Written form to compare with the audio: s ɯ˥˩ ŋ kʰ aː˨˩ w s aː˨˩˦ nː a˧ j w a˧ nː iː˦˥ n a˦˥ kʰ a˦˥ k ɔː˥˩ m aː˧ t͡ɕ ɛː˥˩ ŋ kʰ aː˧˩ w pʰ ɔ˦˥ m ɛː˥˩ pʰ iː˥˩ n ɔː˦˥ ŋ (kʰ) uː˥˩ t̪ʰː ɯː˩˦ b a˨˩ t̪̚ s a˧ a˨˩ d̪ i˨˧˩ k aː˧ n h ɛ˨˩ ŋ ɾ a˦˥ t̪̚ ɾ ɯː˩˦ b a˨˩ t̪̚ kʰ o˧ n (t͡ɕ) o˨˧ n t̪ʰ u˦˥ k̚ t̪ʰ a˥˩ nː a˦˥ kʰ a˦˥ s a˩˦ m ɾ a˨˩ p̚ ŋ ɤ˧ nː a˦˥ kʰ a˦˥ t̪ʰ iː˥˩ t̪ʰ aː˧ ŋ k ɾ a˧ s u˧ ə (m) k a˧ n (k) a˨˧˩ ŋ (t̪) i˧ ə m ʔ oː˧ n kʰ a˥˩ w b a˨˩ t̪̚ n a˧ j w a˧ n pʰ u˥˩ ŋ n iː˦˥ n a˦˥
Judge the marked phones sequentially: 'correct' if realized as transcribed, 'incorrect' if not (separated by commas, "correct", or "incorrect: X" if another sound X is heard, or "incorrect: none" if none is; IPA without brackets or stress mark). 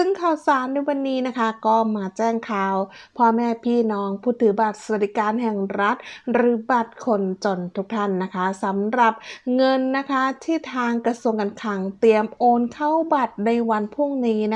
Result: incorrect: pʰ, correct, incorrect: ŋ, incorrect: kʰ, correct